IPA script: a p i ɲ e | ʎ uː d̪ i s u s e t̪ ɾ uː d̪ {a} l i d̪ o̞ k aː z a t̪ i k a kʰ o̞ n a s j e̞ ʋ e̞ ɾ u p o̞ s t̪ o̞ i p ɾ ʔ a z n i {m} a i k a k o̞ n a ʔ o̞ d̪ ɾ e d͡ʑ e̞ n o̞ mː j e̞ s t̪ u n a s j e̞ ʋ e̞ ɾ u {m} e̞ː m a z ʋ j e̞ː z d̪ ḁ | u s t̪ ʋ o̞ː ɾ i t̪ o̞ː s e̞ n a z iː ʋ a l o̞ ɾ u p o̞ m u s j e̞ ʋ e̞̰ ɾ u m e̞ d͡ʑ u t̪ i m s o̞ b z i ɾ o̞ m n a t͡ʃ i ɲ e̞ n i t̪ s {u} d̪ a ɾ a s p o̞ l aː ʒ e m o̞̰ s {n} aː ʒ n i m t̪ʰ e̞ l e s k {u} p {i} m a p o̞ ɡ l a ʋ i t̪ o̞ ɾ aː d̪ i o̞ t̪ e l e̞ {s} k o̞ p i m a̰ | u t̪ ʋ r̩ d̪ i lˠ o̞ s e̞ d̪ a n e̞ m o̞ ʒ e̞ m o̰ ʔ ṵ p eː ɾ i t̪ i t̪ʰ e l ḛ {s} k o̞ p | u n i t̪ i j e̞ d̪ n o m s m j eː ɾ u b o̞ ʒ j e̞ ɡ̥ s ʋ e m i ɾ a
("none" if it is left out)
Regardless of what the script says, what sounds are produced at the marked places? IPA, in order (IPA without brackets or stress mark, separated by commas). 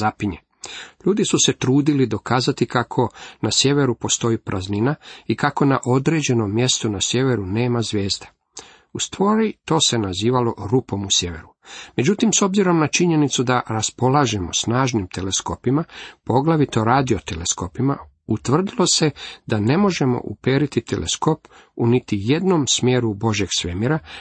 i, n, n, u, n, o, i, s, s